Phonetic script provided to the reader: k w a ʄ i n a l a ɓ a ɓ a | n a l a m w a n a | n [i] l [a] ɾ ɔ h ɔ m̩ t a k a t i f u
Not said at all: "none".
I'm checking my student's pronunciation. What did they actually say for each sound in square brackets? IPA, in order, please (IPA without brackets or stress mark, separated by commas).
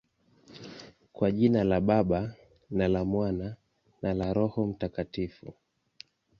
a, a